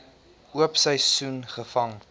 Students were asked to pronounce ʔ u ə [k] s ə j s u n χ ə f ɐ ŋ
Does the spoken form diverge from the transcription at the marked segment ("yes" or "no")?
yes